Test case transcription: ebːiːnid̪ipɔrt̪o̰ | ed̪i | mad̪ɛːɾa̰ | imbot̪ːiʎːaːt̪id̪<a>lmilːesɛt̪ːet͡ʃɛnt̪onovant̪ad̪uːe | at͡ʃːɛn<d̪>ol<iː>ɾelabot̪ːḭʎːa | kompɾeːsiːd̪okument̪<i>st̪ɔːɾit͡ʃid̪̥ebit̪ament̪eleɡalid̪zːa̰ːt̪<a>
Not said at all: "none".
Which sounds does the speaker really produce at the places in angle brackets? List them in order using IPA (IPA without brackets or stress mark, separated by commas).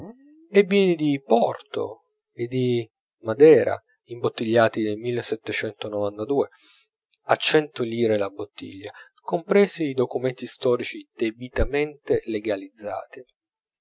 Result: e, t̪, iː, i, i